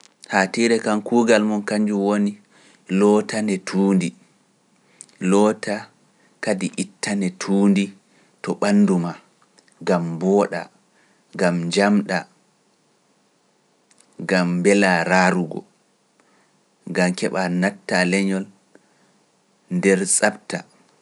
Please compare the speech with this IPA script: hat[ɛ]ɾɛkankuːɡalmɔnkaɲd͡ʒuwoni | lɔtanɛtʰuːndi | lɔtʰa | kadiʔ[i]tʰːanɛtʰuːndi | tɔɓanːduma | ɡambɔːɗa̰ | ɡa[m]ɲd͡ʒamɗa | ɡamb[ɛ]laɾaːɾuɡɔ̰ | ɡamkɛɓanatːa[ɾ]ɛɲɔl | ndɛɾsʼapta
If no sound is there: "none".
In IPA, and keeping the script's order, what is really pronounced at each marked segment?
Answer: i, i, m, ɛ, l

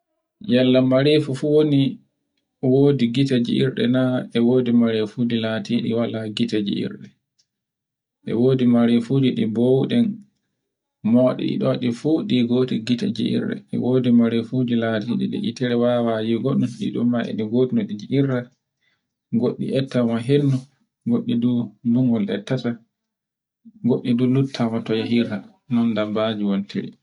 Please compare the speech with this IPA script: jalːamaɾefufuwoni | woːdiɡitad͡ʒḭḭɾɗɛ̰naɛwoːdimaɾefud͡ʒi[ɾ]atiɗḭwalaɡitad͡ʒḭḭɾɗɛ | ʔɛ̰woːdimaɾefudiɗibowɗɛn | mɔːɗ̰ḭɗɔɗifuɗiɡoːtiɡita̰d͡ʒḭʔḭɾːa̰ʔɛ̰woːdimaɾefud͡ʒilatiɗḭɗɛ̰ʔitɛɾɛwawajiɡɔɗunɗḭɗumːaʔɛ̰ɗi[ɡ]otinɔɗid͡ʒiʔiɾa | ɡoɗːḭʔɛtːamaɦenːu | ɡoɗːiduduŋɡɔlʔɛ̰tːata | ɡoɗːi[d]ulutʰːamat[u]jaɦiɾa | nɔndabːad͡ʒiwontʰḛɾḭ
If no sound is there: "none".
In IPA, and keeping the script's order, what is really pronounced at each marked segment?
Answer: l, ɡ, d, ɔ

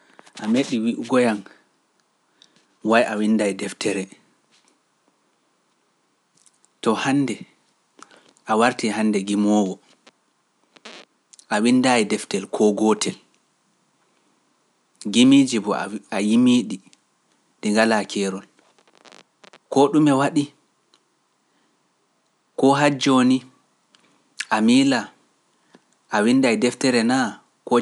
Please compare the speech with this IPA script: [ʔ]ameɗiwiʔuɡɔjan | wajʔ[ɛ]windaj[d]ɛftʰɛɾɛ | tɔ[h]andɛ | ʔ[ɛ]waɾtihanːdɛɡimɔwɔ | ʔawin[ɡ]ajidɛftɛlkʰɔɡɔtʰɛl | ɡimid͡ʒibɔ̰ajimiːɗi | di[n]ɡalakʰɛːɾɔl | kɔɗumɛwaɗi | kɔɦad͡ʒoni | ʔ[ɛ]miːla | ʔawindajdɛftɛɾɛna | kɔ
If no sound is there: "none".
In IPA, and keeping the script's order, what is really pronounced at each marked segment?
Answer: ʔ, a, d, h, a, d, ŋ, a

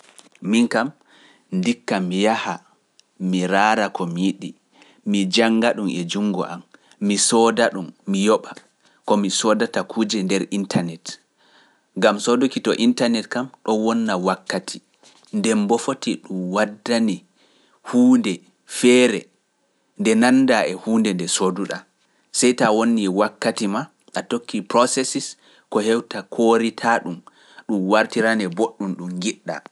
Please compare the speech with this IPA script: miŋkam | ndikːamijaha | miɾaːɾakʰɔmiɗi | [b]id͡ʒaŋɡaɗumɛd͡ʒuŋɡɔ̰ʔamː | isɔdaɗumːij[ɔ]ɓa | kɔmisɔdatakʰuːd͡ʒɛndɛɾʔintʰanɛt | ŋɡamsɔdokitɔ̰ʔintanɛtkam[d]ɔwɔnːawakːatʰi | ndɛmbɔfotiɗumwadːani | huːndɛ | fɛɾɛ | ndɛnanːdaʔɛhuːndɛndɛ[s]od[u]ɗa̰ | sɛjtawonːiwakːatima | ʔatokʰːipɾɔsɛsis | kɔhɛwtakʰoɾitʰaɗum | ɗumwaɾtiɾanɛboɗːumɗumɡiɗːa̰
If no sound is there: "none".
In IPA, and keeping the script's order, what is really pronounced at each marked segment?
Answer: m, ɔ, ɗ, s, u

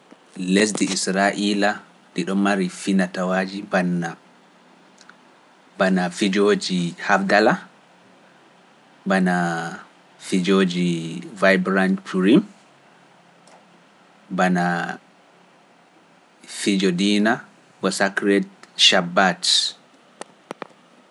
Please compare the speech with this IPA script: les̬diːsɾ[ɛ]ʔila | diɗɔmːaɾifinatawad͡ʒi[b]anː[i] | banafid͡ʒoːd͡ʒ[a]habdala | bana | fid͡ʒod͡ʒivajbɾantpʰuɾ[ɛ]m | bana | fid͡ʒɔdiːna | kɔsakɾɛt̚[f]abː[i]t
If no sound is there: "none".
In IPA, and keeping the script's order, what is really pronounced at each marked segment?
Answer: a, b, a, i, i, ʃ, a

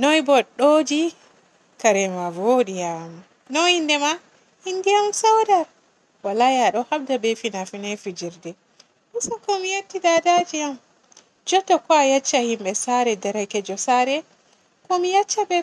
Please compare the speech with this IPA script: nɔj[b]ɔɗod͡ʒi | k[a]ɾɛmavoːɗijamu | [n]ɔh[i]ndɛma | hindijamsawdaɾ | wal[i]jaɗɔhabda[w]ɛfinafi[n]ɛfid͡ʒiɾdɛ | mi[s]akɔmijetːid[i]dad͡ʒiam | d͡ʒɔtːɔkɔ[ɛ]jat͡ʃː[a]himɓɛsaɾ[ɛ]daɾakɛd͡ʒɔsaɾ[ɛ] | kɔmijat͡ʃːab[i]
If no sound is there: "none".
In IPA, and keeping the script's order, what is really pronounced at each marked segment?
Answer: b, a, n, i, a, b, n, s, a, a, a, ɛ, ɛ, ɛ

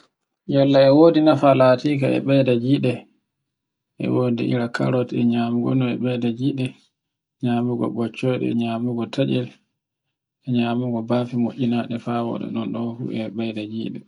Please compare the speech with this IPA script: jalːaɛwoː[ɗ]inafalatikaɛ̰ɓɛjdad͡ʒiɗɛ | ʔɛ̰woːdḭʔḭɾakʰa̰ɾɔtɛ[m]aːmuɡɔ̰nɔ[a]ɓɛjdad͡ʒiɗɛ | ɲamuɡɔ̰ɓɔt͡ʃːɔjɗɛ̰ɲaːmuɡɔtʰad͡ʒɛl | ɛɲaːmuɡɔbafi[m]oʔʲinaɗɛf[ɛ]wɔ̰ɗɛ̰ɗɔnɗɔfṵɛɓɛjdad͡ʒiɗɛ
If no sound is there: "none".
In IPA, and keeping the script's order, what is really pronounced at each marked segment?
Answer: d, ɲ, ɛ, m, a

